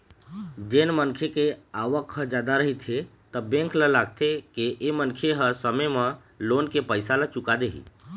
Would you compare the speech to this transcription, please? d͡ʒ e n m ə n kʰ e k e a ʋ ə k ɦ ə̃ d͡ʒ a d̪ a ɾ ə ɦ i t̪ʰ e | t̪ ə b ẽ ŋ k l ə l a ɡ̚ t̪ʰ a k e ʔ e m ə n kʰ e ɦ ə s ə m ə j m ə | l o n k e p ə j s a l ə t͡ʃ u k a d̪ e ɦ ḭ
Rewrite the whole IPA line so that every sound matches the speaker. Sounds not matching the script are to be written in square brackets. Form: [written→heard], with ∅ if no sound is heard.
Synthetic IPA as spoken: d͡ʒ e n m ə n kʰ e k e a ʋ ə k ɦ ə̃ d͡ʒ a d̪ a ɾ ə ɦ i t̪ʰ e | t̪ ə b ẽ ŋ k l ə l a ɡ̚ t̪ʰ [a→e] k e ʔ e m ə n kʰ e ɦ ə s ə m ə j m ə | l o n k e p ə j s a l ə t͡ʃ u k a d̪ e ɦ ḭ